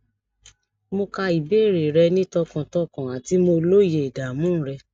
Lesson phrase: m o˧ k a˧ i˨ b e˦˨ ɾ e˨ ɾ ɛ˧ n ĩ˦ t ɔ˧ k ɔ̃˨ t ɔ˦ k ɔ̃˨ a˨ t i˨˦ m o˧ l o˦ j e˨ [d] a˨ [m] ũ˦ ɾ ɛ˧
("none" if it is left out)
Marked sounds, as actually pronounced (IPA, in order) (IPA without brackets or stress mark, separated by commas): d, m